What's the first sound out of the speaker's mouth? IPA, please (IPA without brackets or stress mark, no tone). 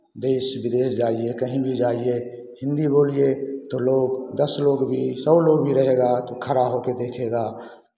d̪